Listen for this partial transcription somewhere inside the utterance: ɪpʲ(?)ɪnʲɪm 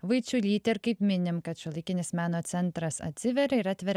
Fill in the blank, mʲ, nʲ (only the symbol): mʲ